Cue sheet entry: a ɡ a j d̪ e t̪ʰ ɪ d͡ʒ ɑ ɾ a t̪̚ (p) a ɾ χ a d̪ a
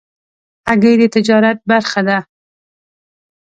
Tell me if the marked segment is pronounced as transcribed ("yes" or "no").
no